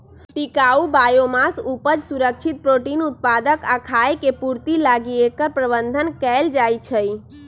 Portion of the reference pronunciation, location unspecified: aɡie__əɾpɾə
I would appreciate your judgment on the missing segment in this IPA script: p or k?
k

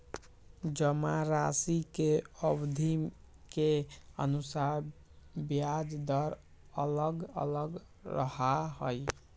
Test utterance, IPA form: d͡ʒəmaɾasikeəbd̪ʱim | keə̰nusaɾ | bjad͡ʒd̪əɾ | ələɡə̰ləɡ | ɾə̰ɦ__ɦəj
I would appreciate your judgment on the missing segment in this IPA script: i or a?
a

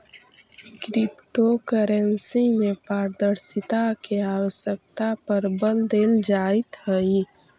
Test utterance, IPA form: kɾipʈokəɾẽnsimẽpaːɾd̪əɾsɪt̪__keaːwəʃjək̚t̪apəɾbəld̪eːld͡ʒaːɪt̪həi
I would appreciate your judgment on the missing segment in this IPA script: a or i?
a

